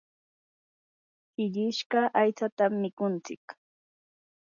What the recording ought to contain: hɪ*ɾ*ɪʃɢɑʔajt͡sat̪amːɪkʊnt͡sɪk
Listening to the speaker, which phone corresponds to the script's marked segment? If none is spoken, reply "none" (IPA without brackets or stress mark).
ʎ